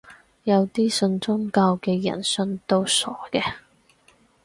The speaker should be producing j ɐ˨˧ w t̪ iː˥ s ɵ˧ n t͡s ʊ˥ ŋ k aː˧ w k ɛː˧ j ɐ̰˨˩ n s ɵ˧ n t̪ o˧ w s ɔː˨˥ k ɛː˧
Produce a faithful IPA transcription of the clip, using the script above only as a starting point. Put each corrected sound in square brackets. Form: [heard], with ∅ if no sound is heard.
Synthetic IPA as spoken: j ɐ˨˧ w t̪ iː˥ s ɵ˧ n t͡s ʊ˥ ŋ k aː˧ w k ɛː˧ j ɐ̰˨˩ n s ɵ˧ n t̪ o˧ w s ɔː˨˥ k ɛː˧